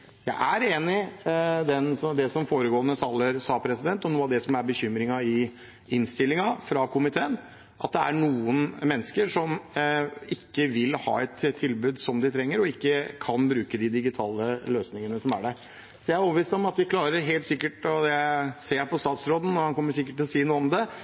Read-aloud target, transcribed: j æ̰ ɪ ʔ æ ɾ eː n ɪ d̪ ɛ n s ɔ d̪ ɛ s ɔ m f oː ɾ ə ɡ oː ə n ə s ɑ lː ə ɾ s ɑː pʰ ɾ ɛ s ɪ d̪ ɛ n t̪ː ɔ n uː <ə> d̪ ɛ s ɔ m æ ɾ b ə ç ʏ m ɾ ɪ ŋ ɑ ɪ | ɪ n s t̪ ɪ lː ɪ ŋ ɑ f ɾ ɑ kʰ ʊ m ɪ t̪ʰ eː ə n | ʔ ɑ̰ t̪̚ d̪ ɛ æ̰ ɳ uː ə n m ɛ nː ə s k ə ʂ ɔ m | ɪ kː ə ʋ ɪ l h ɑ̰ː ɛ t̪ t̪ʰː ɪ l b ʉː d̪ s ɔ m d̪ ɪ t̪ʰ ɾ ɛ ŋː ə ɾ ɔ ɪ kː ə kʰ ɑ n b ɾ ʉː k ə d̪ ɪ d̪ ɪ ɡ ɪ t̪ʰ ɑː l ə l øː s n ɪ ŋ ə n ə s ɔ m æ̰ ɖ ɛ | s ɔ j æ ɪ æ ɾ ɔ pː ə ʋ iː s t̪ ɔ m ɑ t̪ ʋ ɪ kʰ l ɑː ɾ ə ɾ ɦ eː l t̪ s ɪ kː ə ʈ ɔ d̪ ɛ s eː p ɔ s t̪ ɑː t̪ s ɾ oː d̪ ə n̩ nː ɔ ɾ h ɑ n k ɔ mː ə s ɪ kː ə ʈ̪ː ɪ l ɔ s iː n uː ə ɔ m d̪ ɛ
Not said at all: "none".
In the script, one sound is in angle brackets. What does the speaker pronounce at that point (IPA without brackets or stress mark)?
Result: ɑ